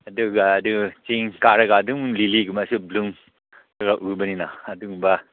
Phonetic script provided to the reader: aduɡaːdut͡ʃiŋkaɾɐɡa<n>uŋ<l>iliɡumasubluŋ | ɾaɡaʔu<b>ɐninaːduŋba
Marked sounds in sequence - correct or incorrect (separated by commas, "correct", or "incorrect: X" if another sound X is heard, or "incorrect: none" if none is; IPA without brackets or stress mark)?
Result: incorrect: d, correct, correct